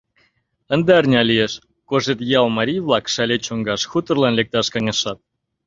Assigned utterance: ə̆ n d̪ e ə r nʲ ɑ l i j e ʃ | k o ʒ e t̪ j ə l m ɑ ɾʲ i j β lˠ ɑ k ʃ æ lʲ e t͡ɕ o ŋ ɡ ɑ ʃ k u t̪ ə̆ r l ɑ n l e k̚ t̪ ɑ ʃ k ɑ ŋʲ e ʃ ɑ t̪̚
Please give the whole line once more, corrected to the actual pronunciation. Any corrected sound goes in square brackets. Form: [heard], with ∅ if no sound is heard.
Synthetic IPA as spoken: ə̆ n d̪ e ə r nʲ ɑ l i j e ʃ | k o ʒ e t̪ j [ɑ] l m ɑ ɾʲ i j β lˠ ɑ k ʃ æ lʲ e t͡ɕ o ŋ ɡ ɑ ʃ [x] u t̪ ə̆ r l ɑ n l e k̚ t̪ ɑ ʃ k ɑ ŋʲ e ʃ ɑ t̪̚